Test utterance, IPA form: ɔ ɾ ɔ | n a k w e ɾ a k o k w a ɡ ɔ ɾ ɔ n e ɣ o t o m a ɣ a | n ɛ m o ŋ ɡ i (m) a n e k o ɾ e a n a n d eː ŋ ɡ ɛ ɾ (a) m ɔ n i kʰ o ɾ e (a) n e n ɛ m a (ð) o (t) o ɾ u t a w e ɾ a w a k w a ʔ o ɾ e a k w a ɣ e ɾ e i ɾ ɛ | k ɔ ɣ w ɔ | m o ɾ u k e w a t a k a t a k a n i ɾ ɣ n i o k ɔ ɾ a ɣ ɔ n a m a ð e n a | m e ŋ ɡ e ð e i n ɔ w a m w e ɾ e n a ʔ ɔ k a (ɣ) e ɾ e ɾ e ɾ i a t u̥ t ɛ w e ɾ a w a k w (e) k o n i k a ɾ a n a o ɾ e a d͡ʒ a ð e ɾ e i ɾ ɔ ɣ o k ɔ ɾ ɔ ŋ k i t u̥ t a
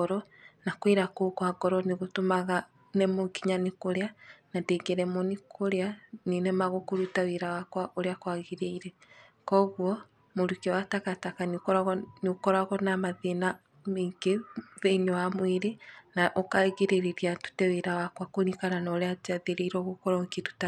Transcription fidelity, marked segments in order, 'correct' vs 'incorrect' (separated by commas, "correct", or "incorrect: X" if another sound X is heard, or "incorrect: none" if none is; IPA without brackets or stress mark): incorrect: ɲ, incorrect: ɛ, correct, incorrect: ɣ, incorrect: k, correct, incorrect: a